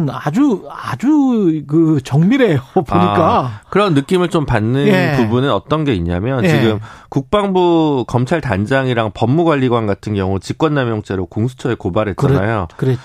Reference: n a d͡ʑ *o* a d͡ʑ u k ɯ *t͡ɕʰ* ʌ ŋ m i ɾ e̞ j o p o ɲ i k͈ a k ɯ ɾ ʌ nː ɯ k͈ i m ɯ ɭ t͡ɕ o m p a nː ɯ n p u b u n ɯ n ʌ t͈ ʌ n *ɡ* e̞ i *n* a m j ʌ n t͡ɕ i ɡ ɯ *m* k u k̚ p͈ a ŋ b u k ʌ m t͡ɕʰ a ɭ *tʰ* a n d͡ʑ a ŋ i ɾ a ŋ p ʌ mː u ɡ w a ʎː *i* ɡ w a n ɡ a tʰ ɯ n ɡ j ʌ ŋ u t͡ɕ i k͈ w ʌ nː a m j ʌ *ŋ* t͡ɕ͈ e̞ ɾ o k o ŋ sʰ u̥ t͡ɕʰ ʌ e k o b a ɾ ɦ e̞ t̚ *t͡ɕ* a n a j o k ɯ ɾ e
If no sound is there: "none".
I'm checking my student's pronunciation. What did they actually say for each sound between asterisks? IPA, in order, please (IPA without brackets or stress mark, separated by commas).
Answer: u, t͡ɕ, ɡ, ɲ, m, t, i, ŋ, t͡ɕ